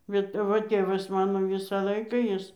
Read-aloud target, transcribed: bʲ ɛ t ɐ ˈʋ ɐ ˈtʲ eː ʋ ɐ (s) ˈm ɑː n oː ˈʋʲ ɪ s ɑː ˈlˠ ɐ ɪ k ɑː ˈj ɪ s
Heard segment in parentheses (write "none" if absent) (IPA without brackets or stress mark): s